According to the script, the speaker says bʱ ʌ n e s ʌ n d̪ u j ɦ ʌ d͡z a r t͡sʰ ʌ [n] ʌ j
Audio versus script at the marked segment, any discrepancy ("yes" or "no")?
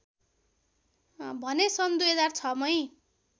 yes